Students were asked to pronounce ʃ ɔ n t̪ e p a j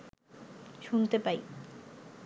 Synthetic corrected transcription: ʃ u n t̪ e p a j